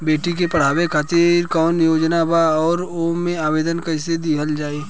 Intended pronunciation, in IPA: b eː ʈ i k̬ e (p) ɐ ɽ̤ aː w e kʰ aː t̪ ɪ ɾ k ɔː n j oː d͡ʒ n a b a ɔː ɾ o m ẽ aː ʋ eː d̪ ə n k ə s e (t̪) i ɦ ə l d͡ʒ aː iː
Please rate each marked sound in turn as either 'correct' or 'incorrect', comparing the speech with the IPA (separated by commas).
correct, incorrect